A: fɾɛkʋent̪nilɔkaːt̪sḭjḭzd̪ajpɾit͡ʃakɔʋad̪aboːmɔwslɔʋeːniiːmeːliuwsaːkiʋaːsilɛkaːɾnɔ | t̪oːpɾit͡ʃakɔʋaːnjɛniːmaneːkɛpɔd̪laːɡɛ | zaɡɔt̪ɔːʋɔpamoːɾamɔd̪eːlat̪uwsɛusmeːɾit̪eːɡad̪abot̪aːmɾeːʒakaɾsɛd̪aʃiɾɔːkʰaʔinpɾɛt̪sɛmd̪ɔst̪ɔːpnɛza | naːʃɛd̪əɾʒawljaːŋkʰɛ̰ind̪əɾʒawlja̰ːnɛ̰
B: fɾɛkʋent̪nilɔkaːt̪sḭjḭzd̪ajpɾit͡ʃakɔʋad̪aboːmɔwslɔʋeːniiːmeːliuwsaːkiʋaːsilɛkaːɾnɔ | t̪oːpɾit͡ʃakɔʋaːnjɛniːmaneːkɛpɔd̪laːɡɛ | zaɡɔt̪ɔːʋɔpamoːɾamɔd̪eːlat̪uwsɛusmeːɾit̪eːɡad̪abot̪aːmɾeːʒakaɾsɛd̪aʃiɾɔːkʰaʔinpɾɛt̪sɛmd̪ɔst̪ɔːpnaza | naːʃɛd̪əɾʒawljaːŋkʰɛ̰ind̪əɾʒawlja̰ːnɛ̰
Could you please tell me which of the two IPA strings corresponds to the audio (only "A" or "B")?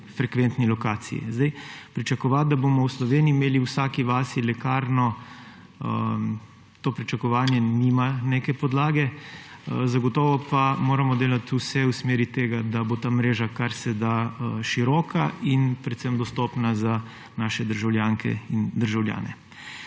B